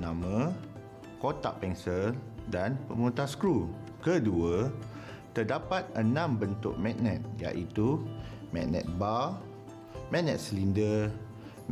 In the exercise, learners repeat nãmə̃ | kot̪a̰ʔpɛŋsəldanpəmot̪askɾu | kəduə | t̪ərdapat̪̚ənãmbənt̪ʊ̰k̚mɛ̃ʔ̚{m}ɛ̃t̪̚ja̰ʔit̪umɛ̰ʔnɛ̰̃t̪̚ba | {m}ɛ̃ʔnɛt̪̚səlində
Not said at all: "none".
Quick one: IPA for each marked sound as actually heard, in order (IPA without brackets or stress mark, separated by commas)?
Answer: n, m